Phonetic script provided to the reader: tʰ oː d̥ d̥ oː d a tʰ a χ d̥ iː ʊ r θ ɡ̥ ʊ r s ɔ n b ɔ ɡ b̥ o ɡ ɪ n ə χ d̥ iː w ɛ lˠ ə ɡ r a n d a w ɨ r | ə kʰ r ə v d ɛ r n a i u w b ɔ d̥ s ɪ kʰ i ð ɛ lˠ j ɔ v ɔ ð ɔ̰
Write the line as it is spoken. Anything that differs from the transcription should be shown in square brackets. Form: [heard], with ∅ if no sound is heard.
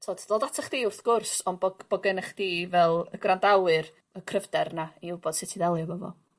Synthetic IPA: tʰ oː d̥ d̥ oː d a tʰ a χ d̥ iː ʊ r θ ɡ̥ ʊ r s ɔ n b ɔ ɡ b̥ [ɔ] ɡ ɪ n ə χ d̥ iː [v] ɛ lˠ ə ɡ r a n d a w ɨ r | ə kʰ r ə v d ɛ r n a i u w b ɔ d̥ s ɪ [tʰ] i ð ɛ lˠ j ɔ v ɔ [v] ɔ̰